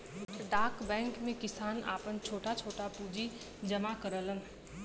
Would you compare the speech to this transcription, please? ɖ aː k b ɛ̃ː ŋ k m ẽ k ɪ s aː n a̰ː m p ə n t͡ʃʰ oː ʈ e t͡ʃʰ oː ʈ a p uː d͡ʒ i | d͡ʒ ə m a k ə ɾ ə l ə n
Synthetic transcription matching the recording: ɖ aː k b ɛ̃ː ŋ k m ẽ k ɪ s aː n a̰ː p ə n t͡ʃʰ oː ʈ a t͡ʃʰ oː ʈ a p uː d͡ʒ i | d͡ʒ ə m a k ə ɾ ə l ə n

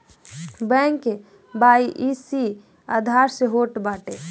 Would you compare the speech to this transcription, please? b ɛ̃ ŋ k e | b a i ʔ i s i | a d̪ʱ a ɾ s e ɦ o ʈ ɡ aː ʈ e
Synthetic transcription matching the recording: b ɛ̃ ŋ k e | b a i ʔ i s i | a d̪ʱ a ɾ s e ɦ o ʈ b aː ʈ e

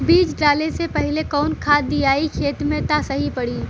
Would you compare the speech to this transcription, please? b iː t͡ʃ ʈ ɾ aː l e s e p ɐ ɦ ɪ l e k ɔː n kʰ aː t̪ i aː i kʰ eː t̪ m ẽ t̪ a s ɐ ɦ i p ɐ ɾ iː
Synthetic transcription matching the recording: b iː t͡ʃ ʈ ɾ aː l e s e p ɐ ɦ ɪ l e k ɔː n kʰ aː d̪ i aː i kʰ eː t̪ m ẽ t̪ a s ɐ ɦ i p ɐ ɽ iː

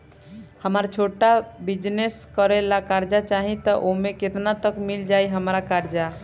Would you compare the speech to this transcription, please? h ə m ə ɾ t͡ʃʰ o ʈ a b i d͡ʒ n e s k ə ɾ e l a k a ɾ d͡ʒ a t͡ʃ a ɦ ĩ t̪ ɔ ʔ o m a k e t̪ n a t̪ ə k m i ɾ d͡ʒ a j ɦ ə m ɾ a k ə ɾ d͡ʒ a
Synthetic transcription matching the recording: h ə m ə ɾ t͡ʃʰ o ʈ a b i d͡ʒ n e s k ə ɾ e l a k a ɾ d͡ʒ a t͡ʃ a ɦ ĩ t̪ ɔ ʔ o m e k e t̪ n a t̪ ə k m i l d͡ʒ a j ɦ ə m ɾ a k a ɾ d͡ʒ a

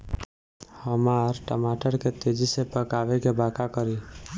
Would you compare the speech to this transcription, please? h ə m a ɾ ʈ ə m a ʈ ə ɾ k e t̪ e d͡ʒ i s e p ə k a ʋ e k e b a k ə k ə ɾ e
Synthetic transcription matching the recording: h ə m a ɾ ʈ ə m a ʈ ə ɾ k e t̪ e d͡ʒ i s e p ə k a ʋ e k e b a k a k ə ɾ i

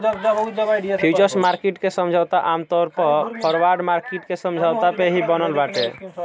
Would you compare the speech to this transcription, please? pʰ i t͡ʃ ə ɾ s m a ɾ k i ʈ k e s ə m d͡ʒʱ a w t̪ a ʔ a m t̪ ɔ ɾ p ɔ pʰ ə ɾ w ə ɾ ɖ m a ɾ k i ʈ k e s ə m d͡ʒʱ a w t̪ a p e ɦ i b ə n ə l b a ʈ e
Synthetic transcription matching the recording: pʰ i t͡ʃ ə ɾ s m a ɾ k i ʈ k e s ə m d͡ʒʱ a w t̪ a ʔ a m t̪ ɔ ɾ p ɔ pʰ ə ɾ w a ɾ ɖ m a ɾ k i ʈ k e s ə m d͡ʒʱ a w t̪ a p e ɦ i b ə n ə l b a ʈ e

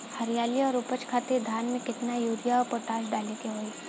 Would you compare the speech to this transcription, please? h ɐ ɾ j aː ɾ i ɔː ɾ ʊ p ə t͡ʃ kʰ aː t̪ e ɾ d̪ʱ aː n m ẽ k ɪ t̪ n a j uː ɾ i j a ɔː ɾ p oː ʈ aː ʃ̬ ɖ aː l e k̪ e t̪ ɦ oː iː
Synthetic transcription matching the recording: h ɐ ɾ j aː l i ɔː ɾ ʊ p ə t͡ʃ kʰ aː t̪ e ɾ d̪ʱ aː n m ẽ k ɪ t̪ n a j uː ɾ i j a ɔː ɾ p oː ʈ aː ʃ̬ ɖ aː l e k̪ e ɦ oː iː

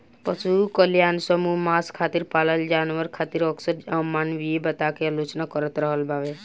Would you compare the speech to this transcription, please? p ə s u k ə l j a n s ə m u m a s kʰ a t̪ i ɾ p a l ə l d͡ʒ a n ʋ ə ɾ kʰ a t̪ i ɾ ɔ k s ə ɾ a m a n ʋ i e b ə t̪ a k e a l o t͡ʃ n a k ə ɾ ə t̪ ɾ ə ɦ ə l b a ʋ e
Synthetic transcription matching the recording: p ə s u k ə l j a n s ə m u m a s kʰ a t̪ i ɾ p a l ə l d͡ʒ a n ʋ ə ɾ kʰ a t̪ i ɾ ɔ k s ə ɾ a m a n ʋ i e b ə t̪ a k e a l o t͡ʃ n a k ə ɾ ə t̪ ɾ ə ɦ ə l b a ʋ e

